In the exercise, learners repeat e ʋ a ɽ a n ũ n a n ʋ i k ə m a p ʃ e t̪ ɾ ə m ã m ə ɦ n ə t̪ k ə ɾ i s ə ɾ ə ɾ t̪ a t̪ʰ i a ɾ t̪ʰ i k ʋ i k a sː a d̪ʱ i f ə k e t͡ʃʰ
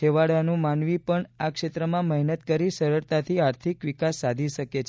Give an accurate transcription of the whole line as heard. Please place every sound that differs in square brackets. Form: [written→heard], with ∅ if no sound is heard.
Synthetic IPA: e ʋ a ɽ a n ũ [n→m] a n ʋ i [k→p] ə [m→ɳ] a [p→k] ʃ e t̪ ɾ ə m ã m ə ɦ n ə t̪ k ə ɾ i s ə ɾ ə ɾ t̪ a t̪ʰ i a ɾ t̪ʰ i k ʋ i k a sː a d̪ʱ i [f→ʃ] ə k e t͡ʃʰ